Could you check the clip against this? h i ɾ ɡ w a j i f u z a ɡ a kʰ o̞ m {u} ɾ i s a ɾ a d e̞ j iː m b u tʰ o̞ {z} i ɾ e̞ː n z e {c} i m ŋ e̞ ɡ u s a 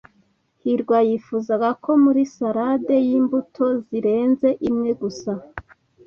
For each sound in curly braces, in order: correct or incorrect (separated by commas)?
correct, correct, incorrect